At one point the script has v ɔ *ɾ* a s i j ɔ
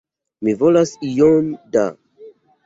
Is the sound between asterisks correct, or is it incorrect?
incorrect